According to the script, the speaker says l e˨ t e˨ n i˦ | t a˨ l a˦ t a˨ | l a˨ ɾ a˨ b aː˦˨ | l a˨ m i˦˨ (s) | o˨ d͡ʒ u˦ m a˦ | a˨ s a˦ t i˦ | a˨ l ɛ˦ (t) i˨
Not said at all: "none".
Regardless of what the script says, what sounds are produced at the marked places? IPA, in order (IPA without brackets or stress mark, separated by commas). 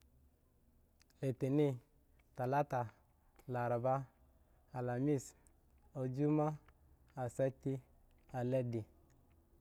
s, d